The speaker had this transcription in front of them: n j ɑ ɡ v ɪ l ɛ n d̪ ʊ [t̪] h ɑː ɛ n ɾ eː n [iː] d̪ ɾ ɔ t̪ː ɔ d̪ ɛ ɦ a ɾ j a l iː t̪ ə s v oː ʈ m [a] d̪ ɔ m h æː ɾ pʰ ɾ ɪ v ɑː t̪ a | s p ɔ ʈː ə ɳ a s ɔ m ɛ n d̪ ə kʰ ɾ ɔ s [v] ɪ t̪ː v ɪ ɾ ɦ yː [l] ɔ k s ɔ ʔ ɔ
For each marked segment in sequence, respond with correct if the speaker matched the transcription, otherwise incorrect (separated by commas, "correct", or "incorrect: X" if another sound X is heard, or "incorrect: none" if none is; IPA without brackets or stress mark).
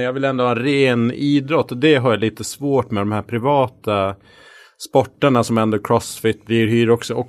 incorrect: none, correct, incorrect: ɛ, incorrect: f, incorrect: ɾ